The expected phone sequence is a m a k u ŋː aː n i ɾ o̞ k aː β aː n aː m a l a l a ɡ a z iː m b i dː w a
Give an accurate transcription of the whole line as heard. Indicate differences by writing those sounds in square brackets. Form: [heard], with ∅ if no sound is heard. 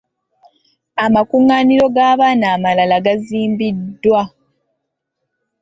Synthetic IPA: a m a k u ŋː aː n i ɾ o̞ [ɡ] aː β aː n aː m a l a l a ɡ a z iː m b i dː w a